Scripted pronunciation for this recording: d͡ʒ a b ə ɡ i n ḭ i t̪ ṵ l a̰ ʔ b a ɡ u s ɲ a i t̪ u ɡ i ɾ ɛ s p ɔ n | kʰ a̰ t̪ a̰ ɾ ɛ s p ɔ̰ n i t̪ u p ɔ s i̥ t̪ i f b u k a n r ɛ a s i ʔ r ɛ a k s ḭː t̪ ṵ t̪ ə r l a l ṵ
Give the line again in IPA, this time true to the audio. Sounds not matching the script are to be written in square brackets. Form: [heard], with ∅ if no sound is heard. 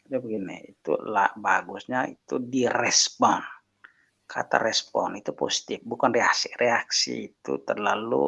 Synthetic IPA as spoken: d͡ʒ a b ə ɡ i n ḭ i t̪ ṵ l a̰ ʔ b a ɡ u s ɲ a i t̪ u [d] i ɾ ɛ s p ɔ n | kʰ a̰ t̪ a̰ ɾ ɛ s p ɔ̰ n i t̪ u p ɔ s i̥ t̪ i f b u k a n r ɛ a s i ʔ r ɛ a k s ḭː t̪ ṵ t̪ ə r l a l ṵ